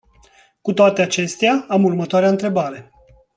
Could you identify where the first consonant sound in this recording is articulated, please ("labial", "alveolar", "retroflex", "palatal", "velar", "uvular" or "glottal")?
velar